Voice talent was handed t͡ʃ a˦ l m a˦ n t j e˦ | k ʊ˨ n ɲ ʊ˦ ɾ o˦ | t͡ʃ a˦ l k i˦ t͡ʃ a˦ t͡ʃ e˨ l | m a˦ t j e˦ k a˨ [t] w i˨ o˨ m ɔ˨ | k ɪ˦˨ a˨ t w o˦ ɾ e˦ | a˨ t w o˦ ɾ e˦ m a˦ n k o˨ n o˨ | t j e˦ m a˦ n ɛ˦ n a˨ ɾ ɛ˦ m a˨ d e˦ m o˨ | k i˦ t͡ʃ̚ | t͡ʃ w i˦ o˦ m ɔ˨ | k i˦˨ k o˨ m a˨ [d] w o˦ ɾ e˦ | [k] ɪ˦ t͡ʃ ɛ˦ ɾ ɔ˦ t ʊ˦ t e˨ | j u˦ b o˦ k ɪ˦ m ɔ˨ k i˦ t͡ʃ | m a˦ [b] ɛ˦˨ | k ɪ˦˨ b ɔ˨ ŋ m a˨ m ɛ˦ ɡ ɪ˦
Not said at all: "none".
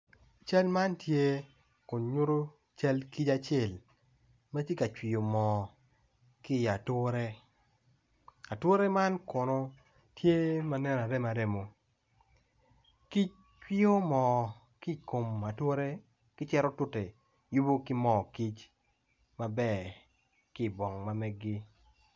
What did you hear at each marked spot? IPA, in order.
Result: t͡ʃ, t, k, b

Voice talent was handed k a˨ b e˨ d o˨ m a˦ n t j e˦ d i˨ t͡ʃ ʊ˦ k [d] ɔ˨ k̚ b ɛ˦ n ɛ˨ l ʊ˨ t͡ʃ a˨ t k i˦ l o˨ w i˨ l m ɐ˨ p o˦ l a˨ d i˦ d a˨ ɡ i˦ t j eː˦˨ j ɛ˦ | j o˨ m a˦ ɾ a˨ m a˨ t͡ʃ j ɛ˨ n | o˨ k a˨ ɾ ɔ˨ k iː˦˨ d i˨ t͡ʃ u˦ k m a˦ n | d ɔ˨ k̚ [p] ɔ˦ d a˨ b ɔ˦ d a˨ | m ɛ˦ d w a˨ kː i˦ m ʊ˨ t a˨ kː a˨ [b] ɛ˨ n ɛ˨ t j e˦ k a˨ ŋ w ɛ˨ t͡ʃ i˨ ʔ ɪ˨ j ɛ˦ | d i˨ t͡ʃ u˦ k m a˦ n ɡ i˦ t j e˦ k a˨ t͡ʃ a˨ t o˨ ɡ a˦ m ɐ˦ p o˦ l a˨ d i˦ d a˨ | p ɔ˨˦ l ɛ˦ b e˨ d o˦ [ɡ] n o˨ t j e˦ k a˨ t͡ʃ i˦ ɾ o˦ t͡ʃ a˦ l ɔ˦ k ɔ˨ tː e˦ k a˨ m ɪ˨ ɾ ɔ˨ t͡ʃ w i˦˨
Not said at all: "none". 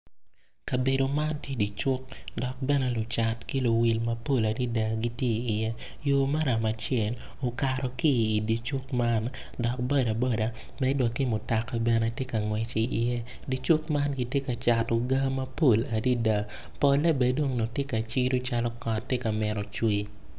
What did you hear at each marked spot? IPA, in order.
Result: d, b, b, ŋ

